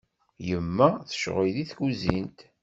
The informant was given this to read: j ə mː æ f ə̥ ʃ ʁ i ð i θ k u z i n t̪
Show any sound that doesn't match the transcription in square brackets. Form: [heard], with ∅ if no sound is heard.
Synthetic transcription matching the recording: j ə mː æ [θ] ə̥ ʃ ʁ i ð i θ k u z i n t̪